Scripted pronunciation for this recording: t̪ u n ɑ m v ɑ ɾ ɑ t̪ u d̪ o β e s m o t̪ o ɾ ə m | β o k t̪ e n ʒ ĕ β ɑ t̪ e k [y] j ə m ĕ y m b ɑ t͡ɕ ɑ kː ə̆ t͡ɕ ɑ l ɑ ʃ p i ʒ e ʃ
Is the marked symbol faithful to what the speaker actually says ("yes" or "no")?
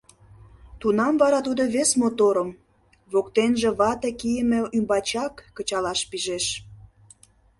no